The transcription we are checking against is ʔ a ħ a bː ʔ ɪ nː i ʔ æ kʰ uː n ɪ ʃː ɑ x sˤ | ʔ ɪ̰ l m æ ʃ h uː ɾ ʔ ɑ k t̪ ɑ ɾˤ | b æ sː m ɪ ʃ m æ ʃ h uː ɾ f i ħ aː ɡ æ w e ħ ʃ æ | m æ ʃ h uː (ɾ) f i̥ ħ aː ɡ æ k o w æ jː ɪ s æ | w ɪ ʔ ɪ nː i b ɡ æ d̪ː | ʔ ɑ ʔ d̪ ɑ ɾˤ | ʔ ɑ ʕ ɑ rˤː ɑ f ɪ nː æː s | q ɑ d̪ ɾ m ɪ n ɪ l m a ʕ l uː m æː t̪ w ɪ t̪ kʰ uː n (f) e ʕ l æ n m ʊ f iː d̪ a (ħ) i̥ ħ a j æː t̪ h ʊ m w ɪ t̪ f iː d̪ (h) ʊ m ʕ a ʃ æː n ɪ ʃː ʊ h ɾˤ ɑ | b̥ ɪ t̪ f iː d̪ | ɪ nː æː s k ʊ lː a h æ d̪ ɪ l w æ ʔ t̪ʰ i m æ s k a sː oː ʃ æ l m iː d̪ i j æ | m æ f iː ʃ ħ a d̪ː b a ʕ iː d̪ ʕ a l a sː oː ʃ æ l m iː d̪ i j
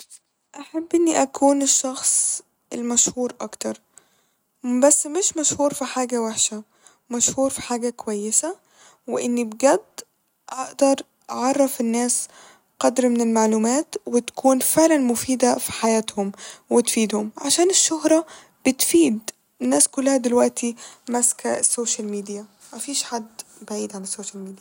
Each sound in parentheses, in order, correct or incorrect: correct, correct, incorrect, correct

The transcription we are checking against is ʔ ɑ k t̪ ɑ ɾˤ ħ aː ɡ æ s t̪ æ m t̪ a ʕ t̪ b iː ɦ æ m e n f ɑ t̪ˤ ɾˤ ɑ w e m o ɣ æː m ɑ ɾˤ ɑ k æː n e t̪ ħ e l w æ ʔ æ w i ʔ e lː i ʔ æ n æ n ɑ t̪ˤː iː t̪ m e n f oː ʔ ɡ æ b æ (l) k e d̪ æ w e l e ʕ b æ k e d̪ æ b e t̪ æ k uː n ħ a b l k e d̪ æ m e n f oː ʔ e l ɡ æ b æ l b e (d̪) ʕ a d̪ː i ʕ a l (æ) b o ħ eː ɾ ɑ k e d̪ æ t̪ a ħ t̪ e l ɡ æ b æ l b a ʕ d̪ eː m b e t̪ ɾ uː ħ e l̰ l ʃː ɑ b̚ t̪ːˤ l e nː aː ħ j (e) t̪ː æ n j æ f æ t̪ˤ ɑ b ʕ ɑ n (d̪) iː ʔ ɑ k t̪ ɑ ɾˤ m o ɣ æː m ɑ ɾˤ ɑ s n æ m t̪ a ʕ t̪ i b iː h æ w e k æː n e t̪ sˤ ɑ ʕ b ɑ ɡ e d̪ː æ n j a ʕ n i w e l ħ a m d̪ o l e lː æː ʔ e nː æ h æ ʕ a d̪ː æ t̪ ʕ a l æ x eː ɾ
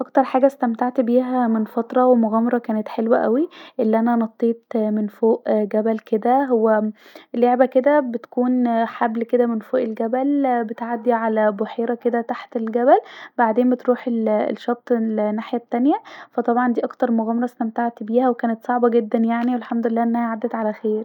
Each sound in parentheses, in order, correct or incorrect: correct, incorrect, correct, incorrect, correct

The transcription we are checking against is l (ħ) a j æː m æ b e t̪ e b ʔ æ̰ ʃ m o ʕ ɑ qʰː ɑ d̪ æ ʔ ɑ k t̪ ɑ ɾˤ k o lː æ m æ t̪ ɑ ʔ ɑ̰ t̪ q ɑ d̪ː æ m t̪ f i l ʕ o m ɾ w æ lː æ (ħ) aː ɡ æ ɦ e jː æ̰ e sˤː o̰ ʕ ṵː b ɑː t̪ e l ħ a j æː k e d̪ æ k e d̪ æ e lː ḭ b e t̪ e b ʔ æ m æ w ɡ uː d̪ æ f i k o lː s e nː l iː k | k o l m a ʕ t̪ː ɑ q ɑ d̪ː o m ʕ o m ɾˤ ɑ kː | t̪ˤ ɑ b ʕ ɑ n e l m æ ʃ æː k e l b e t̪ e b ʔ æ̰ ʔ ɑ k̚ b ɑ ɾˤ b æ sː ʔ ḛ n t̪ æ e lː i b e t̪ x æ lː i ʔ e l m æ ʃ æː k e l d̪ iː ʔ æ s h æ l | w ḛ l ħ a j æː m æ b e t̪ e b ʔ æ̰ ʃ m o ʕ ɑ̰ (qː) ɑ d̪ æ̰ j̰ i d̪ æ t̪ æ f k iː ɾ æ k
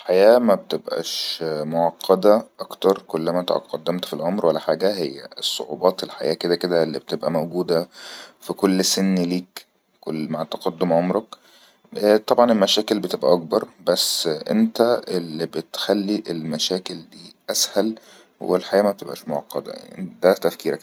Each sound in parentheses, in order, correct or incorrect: correct, correct, correct

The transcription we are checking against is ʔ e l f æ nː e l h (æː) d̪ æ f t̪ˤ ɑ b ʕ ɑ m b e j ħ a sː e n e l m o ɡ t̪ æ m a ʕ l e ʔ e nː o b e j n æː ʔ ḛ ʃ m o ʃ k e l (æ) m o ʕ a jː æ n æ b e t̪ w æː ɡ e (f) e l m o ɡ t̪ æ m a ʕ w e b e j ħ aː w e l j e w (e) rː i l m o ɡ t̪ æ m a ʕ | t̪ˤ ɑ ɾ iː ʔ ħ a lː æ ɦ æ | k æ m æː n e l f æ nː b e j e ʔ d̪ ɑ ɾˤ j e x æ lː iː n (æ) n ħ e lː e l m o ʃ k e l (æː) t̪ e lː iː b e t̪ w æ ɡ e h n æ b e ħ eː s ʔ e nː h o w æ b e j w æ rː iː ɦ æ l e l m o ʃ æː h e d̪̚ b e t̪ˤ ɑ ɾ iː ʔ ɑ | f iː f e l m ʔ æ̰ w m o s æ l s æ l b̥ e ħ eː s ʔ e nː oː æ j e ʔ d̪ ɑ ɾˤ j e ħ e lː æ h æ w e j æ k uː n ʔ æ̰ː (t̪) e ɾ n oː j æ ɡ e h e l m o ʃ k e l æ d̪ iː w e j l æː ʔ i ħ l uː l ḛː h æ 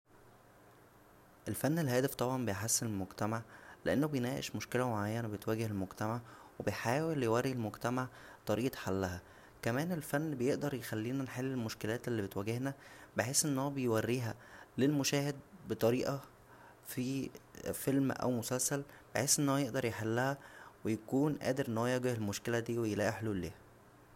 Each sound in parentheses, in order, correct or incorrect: correct, correct, incorrect, incorrect, correct, correct, incorrect

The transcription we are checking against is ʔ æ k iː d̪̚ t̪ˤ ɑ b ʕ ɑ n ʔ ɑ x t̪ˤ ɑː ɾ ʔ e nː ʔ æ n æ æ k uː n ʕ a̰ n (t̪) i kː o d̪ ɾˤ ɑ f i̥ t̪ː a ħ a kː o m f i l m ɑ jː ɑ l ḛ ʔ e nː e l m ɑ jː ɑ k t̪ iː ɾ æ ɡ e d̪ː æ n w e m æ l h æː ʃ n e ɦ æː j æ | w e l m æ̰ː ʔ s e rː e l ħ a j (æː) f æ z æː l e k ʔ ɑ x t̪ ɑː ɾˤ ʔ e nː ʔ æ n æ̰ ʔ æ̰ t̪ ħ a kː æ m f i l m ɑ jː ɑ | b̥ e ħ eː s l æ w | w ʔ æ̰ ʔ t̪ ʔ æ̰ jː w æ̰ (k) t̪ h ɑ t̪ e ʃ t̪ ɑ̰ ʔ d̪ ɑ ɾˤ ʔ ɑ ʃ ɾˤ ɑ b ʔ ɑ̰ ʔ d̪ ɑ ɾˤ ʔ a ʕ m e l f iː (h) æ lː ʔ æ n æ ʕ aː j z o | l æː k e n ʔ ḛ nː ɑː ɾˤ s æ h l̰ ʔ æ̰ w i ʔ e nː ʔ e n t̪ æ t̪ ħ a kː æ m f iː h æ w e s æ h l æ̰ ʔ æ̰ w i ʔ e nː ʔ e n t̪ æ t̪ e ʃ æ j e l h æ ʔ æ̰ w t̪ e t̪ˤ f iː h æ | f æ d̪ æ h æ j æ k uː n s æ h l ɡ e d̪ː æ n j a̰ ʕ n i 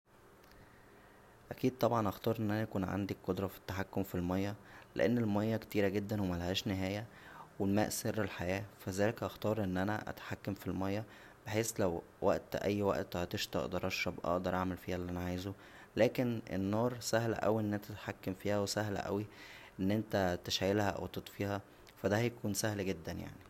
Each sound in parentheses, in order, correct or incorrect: incorrect, correct, incorrect, correct

